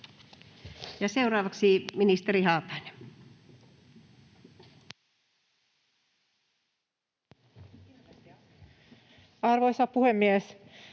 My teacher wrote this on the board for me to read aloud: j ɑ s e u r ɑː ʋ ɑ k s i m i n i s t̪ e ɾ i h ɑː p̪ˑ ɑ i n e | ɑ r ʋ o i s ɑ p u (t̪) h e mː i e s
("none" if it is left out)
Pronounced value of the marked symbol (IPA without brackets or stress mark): none